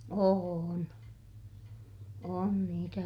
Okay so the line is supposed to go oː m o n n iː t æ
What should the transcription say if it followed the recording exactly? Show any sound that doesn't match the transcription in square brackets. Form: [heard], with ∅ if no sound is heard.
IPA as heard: oː [n] o n n iː t æ